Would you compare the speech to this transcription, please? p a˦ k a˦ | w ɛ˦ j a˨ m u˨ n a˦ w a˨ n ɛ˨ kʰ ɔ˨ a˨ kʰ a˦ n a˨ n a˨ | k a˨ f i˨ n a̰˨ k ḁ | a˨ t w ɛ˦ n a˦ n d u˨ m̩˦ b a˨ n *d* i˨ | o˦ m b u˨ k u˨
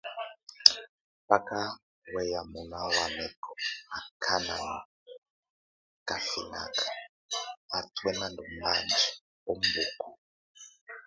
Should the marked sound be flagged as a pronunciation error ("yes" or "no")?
yes